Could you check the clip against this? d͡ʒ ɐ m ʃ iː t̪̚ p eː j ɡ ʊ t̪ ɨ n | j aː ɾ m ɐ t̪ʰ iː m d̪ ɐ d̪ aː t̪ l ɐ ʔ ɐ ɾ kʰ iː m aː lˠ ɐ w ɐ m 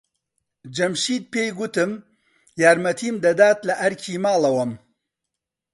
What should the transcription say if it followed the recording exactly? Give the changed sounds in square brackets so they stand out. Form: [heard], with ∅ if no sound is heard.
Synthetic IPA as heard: d͡ʒ ɐ m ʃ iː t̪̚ p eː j ɡ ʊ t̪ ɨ [m] | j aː ɾ m ɐ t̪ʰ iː m d̪ ɐ d̪ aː t̪ l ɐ ʔ ɐ ɾ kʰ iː m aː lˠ ɐ w ɐ m